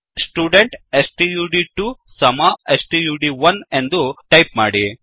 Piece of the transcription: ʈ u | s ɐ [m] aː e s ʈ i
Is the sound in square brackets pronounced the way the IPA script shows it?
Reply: yes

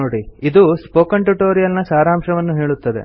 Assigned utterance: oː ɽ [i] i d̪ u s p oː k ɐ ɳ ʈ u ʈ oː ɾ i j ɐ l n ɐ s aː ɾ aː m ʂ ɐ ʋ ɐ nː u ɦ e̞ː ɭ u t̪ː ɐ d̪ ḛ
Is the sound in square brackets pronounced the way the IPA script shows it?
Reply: yes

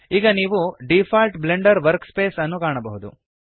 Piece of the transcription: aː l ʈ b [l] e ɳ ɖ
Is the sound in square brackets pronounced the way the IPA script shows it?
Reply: yes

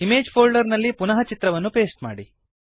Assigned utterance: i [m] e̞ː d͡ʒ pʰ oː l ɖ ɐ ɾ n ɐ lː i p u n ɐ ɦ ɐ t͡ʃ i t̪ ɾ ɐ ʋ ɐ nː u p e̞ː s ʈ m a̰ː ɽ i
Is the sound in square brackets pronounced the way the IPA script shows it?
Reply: yes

